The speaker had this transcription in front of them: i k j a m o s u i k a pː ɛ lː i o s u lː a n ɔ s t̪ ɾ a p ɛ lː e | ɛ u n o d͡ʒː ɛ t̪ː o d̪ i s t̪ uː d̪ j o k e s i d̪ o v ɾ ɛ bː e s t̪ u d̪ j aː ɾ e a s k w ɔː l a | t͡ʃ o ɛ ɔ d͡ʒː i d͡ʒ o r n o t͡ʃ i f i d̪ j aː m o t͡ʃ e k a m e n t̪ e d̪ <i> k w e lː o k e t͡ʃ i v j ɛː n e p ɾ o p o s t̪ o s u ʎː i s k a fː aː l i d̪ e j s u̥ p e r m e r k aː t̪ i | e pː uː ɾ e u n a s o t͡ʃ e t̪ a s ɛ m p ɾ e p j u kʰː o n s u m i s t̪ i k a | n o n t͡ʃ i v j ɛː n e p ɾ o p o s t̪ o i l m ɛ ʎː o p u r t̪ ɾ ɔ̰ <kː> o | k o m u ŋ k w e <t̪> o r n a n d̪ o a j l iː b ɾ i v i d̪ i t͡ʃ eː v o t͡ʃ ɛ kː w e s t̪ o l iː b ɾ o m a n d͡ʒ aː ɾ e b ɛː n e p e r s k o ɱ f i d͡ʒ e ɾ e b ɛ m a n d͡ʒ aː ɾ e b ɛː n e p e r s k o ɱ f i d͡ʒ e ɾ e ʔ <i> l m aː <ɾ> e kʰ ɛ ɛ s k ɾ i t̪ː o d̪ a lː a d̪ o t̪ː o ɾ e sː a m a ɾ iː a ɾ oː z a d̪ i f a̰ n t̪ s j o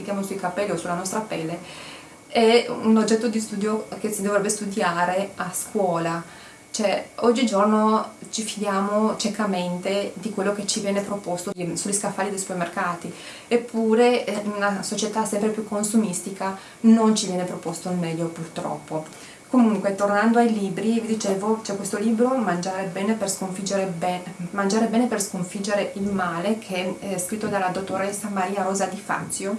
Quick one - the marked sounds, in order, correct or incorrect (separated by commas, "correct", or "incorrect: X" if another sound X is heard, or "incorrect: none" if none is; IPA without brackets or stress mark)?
correct, incorrect: pː, correct, correct, incorrect: l